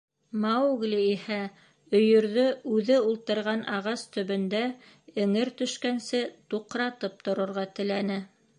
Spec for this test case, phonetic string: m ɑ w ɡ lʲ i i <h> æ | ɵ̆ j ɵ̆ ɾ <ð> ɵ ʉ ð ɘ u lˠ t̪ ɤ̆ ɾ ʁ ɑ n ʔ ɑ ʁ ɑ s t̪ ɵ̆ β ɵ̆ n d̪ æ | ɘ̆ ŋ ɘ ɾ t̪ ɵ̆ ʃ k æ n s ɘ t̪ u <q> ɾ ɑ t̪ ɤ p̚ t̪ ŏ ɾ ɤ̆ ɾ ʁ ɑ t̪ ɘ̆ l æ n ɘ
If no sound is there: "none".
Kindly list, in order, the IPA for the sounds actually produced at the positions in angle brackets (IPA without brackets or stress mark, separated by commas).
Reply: h, ð, q